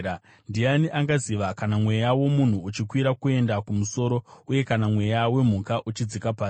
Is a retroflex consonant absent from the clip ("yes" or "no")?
yes